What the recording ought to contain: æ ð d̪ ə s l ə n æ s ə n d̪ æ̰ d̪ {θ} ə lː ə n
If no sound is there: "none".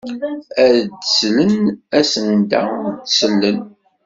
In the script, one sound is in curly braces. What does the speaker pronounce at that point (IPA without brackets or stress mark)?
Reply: s